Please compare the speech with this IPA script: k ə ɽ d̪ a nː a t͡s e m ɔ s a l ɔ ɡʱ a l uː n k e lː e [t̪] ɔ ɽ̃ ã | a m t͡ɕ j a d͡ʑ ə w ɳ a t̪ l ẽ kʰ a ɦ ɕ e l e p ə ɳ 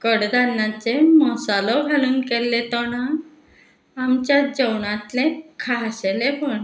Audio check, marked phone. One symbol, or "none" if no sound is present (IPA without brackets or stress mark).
t̪